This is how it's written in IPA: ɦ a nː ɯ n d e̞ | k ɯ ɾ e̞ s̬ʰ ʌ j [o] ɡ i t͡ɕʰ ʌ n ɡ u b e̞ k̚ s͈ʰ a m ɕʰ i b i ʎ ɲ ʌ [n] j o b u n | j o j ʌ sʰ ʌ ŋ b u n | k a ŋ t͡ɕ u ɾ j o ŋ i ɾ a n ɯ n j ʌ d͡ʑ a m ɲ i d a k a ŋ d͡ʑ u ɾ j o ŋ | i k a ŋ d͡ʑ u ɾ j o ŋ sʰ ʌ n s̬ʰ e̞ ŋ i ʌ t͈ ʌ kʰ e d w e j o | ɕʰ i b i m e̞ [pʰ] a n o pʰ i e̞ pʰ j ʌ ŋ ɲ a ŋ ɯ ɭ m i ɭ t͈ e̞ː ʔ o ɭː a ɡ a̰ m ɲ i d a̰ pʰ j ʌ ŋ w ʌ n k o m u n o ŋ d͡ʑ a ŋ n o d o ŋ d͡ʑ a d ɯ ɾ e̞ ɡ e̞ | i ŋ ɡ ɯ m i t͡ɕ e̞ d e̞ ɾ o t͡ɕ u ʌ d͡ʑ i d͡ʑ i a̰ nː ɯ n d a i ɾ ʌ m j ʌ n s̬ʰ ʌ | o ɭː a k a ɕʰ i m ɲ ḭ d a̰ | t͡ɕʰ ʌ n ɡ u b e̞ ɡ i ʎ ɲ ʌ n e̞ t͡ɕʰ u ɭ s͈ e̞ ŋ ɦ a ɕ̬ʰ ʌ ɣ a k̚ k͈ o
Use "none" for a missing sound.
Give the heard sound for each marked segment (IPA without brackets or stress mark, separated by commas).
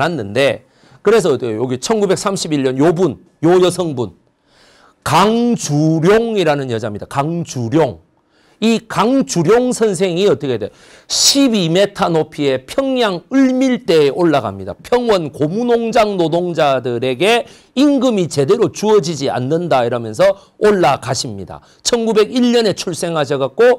o, n, tʰ